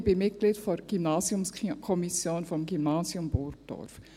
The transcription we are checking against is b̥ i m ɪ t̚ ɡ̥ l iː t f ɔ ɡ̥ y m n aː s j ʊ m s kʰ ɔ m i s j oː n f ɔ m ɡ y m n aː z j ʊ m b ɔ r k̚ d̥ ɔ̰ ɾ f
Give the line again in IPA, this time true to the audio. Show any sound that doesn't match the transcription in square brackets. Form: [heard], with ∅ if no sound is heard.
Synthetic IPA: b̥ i m ɪ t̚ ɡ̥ l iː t f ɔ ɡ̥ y m n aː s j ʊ m s kʰ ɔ m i s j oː n f ɔ m ɡ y m n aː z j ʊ m b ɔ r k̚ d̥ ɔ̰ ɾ f